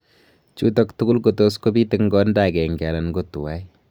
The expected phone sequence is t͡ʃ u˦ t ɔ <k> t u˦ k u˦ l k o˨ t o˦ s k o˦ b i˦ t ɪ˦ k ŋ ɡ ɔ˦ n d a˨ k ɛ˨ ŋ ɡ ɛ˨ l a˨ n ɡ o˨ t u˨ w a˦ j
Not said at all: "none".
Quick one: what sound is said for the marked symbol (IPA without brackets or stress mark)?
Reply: k